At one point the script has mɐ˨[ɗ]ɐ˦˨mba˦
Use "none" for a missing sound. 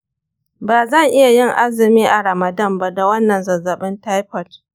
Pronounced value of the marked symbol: d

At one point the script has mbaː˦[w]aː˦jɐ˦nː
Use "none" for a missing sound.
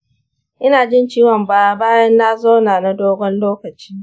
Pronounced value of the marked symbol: b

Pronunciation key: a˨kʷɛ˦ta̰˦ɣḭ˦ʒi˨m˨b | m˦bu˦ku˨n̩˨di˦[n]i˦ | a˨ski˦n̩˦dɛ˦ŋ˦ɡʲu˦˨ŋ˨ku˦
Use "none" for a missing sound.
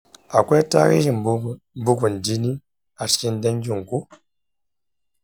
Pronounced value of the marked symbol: n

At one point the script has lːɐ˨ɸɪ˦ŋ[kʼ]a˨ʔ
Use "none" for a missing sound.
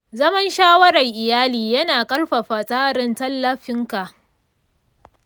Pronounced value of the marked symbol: k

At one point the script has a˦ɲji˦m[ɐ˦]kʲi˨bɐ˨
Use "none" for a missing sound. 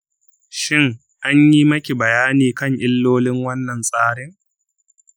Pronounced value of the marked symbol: ɐ˦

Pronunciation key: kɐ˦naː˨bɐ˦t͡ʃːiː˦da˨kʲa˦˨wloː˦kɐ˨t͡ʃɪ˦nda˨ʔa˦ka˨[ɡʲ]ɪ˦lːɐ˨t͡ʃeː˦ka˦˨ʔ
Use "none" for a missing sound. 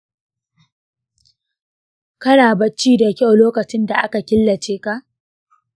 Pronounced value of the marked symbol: kʲ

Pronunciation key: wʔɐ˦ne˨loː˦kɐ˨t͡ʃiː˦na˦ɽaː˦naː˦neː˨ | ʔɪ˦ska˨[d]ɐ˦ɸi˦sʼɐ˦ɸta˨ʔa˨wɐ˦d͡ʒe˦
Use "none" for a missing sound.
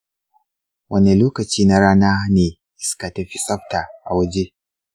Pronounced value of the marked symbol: t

